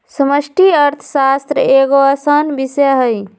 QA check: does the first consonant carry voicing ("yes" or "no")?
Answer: no